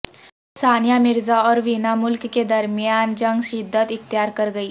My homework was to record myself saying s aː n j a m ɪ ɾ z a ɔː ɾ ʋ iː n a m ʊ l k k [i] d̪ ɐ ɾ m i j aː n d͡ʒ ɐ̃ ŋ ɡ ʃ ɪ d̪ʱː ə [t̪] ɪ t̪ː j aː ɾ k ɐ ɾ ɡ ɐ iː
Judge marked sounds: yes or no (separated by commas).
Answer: no, yes